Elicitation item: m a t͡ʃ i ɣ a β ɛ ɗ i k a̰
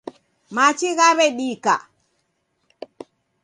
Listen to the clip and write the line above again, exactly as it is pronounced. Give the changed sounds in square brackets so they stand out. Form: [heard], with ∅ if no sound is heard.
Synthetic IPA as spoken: m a t͡ʃ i ɣ a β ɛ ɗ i k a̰